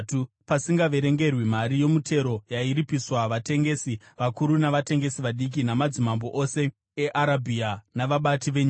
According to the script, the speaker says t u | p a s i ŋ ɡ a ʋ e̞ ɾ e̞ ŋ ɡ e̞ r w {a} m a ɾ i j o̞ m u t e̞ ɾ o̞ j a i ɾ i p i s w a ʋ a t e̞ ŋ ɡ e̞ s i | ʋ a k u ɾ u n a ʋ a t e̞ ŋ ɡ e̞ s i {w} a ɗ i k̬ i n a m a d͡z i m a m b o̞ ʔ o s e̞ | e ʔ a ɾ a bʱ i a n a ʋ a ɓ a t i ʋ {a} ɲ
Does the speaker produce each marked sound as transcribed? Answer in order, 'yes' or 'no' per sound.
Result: no, no, no

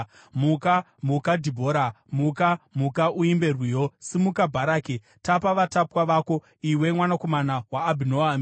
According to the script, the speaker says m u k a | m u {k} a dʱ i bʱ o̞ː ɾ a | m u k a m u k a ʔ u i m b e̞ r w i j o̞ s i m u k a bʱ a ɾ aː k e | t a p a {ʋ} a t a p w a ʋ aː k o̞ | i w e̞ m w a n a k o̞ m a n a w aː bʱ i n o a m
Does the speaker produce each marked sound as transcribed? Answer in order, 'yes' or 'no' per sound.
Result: yes, yes

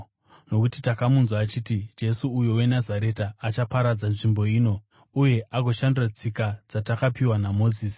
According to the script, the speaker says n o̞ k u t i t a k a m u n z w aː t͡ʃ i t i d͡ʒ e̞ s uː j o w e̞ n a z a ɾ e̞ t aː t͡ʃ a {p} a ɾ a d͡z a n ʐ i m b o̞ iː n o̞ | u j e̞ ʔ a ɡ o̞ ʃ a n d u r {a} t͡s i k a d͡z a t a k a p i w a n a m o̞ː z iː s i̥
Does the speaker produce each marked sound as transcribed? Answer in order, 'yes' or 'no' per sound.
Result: yes, yes

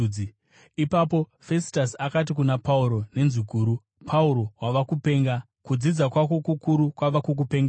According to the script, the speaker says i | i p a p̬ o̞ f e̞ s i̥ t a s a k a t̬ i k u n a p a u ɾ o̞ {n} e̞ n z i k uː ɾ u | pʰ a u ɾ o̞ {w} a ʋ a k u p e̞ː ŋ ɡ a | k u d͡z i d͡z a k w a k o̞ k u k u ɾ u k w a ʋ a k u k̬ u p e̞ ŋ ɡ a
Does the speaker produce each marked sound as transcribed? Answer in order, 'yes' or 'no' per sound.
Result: yes, yes

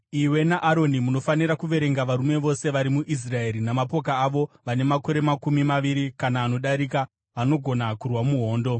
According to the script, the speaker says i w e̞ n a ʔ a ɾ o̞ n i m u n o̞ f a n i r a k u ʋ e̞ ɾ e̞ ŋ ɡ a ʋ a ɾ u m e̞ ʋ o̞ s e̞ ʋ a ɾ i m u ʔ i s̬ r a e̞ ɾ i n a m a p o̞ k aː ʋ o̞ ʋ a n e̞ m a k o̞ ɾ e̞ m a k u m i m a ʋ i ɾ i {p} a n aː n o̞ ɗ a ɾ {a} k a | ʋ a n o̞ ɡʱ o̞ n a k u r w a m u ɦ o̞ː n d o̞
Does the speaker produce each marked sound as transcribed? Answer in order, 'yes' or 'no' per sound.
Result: no, no

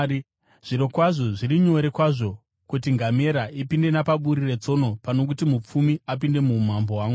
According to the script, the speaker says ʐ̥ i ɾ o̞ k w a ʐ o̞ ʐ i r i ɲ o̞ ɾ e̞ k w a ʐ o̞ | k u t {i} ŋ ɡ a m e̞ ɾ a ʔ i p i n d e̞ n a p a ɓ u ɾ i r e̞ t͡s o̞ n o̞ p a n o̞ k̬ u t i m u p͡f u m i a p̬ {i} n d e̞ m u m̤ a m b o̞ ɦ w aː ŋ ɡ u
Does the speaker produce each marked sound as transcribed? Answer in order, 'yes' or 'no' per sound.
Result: yes, yes

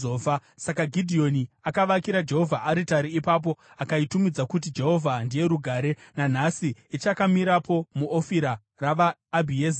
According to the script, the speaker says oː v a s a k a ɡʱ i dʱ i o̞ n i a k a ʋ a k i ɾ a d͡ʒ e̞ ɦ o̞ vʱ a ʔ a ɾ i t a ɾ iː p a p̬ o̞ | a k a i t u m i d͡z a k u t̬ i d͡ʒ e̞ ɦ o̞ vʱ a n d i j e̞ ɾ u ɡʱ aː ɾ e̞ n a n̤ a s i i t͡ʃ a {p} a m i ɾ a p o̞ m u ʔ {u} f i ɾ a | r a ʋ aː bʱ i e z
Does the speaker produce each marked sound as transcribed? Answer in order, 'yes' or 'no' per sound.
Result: no, no

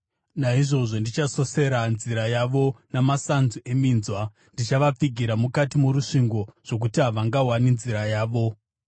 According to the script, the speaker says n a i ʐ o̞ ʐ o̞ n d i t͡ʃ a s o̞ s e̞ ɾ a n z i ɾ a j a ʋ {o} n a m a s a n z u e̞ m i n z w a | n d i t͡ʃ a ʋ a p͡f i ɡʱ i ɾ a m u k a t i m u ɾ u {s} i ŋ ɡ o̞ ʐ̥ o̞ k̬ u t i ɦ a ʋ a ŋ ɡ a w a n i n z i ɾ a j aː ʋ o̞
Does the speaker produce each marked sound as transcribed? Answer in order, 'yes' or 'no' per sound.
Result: yes, no

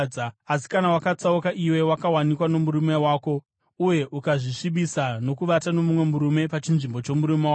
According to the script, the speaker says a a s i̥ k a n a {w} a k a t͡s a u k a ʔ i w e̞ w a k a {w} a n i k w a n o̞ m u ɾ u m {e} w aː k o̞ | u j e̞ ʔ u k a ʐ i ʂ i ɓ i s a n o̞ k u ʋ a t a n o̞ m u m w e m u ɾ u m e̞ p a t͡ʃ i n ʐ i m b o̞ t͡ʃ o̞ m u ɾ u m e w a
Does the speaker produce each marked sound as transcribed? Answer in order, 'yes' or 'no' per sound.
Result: yes, yes, yes

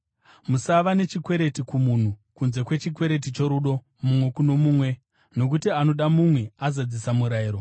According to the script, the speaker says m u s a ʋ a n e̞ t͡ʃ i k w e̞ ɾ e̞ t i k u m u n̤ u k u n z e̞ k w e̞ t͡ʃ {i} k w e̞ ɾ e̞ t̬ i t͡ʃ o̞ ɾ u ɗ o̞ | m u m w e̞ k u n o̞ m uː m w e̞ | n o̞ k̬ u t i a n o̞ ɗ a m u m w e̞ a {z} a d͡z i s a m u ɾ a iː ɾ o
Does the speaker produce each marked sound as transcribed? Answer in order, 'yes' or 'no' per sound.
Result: yes, yes

